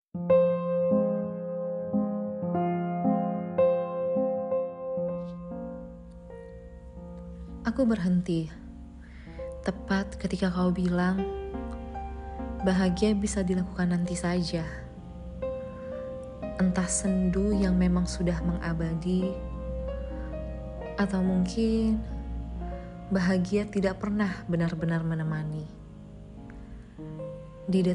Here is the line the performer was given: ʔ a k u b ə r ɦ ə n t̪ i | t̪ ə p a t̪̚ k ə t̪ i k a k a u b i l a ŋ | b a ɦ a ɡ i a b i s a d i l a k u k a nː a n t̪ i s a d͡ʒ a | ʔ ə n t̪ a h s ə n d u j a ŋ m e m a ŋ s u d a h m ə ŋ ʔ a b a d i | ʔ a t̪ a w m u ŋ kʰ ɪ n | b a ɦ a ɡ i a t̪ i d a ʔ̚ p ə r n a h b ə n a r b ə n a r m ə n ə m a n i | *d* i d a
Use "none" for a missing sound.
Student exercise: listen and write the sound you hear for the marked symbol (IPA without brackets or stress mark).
d